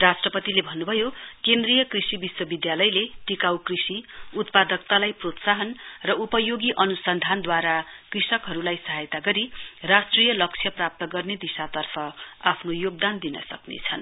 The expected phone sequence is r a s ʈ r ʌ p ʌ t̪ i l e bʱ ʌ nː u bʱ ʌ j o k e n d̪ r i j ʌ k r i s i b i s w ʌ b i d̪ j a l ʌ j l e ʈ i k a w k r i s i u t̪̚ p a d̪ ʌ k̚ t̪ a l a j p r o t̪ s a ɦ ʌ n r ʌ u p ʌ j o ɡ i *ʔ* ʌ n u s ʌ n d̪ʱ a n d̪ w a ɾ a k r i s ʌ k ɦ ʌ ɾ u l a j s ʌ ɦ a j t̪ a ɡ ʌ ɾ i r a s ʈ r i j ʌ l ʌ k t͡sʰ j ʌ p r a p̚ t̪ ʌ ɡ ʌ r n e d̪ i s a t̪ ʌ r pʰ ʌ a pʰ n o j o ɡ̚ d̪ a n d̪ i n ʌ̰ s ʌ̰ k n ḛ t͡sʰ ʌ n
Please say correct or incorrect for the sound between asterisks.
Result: correct